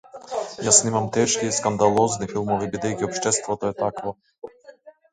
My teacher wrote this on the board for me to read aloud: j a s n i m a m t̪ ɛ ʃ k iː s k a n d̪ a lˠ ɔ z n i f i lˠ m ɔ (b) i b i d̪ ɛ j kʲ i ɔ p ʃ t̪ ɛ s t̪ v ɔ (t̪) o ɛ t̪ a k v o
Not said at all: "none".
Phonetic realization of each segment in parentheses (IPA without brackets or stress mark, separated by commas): v, t̪